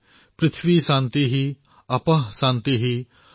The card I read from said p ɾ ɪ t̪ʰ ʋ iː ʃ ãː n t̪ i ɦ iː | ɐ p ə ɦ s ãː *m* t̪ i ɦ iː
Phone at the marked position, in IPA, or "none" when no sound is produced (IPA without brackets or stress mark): n